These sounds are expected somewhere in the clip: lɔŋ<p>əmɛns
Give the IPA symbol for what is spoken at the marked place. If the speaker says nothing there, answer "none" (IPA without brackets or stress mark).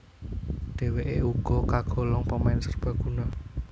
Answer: p